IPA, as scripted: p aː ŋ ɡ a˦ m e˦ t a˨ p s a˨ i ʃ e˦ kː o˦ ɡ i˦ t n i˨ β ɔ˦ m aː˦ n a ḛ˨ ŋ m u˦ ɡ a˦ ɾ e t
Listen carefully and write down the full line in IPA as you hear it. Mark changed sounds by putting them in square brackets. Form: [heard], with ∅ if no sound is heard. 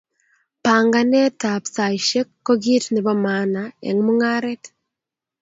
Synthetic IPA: p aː ŋ ɡ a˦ [n] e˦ t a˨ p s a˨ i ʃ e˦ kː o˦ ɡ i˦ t n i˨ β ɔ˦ m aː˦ n a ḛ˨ ŋ m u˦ [ŋ] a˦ ɾ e t